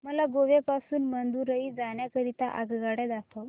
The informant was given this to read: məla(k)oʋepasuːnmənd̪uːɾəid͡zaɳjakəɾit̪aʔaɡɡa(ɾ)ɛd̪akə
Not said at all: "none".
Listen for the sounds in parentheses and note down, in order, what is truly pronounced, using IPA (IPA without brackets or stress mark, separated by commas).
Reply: ɡ, ɽ